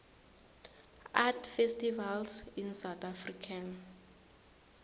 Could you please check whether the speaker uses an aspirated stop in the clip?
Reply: yes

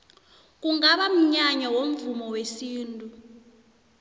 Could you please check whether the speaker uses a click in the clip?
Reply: no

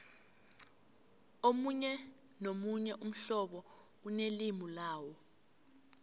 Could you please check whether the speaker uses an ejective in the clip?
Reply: no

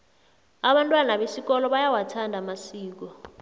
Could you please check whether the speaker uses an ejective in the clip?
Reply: yes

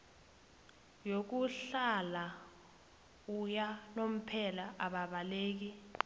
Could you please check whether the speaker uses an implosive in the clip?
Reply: yes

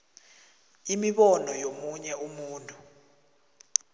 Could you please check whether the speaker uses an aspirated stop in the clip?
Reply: no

